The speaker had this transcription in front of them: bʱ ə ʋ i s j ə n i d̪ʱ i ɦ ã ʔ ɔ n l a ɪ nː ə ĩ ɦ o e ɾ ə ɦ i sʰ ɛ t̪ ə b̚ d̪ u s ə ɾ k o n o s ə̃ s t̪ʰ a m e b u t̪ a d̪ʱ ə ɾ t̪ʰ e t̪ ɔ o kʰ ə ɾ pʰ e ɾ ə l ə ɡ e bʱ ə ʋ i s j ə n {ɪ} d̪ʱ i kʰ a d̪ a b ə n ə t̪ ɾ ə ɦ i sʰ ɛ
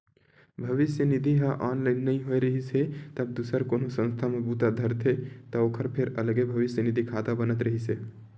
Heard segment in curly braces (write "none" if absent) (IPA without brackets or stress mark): i